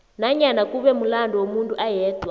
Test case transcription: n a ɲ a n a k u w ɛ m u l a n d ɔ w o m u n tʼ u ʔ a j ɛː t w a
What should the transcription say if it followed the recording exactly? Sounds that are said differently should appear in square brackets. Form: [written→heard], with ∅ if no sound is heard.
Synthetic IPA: n a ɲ a n a k u [w→β] ɛ m u l a n d ɔ w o m u n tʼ u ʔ a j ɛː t w a